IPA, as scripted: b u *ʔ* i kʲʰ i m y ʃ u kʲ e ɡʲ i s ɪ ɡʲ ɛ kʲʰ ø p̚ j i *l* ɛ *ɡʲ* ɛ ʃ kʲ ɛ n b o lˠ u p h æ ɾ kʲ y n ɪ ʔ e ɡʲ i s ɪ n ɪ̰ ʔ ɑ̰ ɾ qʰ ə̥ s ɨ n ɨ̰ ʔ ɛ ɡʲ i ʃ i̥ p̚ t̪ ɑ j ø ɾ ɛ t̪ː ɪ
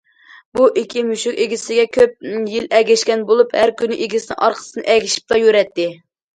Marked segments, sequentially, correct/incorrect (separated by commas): correct, correct, correct